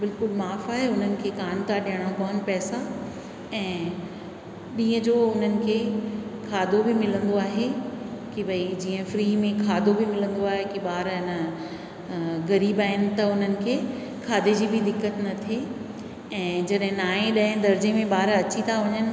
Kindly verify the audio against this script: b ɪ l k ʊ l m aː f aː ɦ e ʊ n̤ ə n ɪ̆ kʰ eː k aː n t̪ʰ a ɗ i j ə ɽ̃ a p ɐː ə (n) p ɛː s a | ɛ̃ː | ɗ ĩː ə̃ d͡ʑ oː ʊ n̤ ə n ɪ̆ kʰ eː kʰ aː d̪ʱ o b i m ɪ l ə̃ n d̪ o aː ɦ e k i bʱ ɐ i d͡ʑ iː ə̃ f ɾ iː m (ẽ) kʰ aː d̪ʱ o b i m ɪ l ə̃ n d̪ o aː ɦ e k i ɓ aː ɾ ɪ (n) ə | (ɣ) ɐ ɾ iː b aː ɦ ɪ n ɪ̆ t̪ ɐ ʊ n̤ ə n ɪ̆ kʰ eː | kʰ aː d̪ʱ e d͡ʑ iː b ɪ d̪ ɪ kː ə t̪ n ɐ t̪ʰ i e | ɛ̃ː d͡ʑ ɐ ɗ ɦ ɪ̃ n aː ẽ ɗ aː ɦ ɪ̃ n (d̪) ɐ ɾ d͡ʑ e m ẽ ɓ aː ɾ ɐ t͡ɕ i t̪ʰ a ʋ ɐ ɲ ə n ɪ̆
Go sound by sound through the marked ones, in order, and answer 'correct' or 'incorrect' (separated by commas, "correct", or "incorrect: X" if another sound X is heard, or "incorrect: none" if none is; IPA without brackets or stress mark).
correct, correct, correct, correct, correct